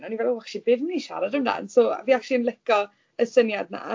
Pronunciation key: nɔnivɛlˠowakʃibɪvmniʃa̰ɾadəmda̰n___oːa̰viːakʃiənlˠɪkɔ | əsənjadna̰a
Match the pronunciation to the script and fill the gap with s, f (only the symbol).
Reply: s